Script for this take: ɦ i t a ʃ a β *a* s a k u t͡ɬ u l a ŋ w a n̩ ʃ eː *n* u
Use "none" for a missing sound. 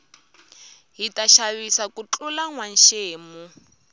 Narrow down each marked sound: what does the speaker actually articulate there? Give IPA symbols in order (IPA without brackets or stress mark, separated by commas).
i, m